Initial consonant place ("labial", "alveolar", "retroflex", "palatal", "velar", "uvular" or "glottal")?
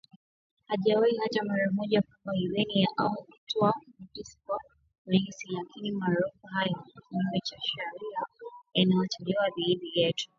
glottal